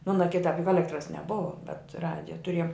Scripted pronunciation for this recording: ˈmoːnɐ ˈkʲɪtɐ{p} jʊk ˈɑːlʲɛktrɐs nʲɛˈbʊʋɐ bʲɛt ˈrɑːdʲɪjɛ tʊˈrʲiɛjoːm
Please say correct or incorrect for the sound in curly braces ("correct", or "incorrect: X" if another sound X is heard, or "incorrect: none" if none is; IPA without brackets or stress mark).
correct